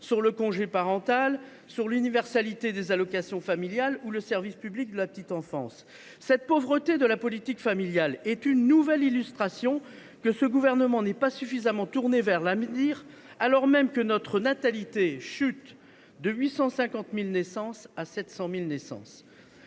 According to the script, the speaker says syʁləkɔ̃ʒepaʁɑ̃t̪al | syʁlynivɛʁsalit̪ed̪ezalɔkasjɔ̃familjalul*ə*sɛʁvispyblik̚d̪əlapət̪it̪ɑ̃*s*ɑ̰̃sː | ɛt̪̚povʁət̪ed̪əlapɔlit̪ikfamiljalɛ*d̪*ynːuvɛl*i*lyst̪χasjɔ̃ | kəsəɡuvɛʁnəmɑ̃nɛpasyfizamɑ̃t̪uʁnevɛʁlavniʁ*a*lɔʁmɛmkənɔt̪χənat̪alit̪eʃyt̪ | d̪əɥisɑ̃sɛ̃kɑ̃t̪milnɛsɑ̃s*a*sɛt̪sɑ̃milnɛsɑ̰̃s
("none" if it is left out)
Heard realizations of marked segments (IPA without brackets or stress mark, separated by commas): ə, f, t̪, i, a, a